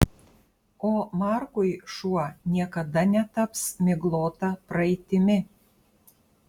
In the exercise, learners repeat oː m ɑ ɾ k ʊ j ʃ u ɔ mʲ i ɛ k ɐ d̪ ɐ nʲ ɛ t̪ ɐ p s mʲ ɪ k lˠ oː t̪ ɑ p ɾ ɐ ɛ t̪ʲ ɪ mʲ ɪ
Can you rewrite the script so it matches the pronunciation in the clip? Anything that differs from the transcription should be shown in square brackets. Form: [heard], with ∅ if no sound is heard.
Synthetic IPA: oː m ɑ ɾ k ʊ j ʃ u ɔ [nʲ] i ɛ k ɐ d̪ ɐ nʲ ɛ t̪ ɐ p s mʲ ɪ [ɡ] lˠ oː t̪ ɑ p ɾ ɐ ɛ t̪ʲ ɪ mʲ ɪ

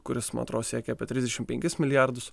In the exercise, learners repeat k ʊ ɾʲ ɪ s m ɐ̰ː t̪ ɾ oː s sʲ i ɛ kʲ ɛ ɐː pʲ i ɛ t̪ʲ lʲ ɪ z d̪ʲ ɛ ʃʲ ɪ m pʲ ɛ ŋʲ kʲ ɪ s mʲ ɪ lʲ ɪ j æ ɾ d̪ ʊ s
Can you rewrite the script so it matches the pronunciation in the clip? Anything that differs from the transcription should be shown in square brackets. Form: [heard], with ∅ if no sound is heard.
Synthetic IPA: k ʊ ɾʲ ɪ s m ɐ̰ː t̪ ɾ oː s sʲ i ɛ kʲ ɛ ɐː pʲ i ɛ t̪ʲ [ɾʲ] ɪ z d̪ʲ ɛ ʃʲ ɪ m pʲ ɛ ŋʲ kʲ ɪ s mʲ ɪ lʲ ɪ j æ ɾ d̪ ʊ s

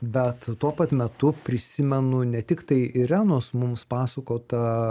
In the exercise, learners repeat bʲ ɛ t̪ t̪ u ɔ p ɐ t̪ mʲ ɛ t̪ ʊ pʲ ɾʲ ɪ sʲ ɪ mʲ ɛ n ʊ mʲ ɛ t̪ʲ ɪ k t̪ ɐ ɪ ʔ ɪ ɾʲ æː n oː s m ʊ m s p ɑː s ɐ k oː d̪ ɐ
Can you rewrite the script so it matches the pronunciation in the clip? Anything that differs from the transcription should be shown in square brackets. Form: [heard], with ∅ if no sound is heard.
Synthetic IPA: bʲ ɛ t̪ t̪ u ɔ p ɐ t̪ mʲ ɛ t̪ ʊ pʲ ɾʲ ɪ sʲ ɪ mʲ ɛ n ʊ [nʲ] ɛ t̪ʲ ɪ k t̪ ɐ ɪ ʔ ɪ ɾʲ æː n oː s m ʊ m s p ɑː s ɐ k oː [t̪] ɐ

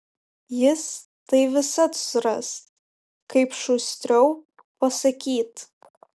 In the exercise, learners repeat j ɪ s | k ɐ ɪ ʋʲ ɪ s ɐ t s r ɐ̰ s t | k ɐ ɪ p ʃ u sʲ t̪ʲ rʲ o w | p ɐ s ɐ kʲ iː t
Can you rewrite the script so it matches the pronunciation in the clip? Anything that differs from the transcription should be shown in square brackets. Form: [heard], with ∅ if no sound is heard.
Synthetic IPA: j ɪ s | [t] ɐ ɪ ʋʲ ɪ s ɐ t s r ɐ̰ s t | k ɐ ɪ p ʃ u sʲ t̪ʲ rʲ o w | p ɐ s ɐ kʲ iː t

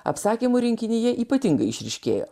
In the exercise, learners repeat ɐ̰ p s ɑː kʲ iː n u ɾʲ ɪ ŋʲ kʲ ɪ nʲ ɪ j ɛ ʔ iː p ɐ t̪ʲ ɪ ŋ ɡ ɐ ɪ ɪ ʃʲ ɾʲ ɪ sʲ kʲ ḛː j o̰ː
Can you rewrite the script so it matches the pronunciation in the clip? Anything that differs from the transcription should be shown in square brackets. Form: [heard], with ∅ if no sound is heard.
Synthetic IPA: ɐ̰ p s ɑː kʲ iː [m] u ɾʲ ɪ ŋʲ kʲ ɪ nʲ ɪ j ɛ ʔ iː p ɐ t̪ʲ ɪ ŋ ɡ ɐ ɪ ɪ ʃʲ ɾʲ ɪ [ʃʲ] kʲ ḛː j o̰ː

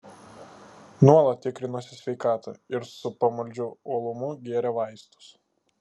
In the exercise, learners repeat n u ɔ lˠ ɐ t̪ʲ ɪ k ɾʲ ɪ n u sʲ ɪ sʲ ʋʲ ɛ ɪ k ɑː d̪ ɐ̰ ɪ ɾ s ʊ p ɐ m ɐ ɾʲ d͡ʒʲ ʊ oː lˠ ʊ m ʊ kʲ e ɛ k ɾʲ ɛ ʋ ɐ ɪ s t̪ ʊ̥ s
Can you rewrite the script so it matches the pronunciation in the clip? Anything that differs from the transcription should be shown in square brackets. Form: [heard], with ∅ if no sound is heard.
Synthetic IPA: n u ɔ lˠ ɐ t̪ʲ ɪ k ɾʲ ɪ n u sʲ ɪ sʲ ʋʲ ɛ ɪ k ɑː [t̪] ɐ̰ ɪ ɾ s ʊ p ɐ m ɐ [lʲ] d͡ʒʲ ʊ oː lˠ ʊ m ʊ [ɡʲ] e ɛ [∅] ɾʲ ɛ ʋ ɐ ɪ s t̪ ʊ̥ s

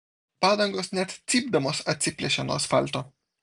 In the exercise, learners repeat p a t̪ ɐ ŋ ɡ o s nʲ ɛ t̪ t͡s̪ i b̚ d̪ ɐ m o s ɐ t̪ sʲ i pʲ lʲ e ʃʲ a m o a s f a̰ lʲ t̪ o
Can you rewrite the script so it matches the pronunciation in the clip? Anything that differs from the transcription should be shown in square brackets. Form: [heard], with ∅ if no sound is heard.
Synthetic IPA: p a [d̪] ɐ ŋ ɡ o s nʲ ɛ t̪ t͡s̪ i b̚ d̪ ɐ m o s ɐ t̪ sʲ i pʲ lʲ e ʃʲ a [n] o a s f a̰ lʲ t̪ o

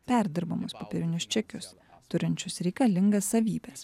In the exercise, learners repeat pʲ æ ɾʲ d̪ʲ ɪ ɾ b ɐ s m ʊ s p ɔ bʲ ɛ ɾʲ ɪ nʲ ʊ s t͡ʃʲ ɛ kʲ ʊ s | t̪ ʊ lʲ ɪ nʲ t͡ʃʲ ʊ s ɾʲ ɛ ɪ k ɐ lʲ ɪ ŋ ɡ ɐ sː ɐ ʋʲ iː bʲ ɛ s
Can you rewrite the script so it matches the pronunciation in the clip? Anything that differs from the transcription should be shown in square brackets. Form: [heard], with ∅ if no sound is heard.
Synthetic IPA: pʲ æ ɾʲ d̪ʲ ɪ ɾ b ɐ [∅] m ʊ s p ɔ [pʲ] ɛ ɾʲ ɪ nʲ ʊ s t͡ʃʲ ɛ kʲ ʊ s | t̪ ʊ [ɾʲ] ɪ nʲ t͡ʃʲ ʊ s ɾʲ ɛ ɪ k ɐ lʲ ɪ ŋ ɡ ɐ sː ɐ ʋʲ iː bʲ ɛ s

